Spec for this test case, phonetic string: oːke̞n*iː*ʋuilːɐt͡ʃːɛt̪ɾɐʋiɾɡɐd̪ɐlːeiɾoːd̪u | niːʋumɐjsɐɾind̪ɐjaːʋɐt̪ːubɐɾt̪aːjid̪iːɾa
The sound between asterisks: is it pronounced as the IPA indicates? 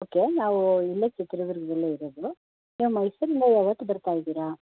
no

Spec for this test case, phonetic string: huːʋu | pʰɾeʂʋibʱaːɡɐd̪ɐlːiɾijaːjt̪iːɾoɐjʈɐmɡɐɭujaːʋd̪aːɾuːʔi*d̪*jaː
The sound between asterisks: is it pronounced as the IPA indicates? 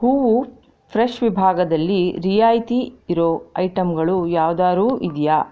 yes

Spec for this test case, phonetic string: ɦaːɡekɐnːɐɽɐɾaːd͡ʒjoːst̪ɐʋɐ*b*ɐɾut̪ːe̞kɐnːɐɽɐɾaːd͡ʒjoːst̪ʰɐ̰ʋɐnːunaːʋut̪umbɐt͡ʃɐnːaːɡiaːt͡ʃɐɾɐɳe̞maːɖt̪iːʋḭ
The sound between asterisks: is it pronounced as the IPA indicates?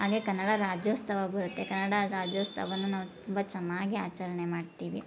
yes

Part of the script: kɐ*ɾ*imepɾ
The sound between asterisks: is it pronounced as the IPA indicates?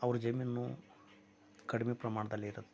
no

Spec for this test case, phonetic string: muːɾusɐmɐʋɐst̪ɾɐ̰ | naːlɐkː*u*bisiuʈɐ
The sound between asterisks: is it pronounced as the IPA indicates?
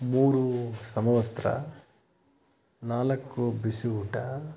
yes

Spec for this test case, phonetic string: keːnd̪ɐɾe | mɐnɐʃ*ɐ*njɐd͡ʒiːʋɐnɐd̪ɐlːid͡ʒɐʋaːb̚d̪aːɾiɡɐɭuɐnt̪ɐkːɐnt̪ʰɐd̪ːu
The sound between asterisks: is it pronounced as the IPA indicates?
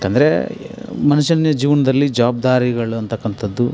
yes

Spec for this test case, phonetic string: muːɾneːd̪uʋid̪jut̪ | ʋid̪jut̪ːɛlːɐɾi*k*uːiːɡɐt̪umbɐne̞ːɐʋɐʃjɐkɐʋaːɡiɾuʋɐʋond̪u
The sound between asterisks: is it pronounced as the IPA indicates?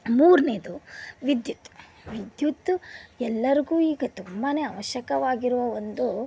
no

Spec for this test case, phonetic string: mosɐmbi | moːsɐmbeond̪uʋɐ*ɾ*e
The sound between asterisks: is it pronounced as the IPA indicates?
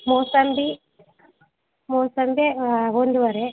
yes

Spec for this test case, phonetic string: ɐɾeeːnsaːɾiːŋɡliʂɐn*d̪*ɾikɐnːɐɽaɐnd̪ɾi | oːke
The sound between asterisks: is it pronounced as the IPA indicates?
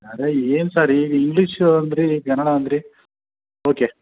yes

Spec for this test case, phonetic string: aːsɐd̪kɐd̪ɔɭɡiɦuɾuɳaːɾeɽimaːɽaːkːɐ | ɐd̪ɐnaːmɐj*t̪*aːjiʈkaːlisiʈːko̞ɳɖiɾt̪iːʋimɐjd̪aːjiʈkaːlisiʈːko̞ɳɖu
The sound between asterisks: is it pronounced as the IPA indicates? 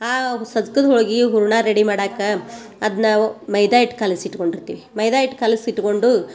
no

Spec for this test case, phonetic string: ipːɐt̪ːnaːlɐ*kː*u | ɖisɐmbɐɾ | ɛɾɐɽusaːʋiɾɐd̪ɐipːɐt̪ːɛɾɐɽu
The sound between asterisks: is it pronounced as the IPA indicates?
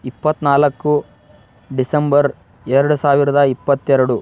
yes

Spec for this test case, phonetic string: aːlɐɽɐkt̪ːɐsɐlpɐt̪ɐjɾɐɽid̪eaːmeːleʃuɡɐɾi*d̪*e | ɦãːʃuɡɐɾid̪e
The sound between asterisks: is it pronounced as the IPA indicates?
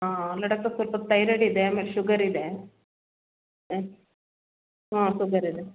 yes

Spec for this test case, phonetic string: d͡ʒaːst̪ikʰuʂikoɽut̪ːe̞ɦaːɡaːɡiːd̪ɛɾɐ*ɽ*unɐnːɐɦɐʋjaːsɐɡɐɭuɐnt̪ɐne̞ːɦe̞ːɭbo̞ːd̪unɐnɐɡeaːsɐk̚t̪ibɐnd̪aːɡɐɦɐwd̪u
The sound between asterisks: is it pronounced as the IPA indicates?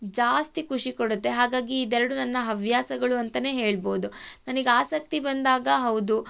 yes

